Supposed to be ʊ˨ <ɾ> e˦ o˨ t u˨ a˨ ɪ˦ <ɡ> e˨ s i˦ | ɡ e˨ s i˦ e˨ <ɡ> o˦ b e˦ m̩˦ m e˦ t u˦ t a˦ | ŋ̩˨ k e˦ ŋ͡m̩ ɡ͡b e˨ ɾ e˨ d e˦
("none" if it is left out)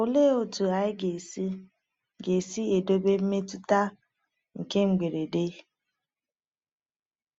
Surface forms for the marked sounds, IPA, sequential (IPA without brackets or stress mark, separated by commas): l, ɡ, d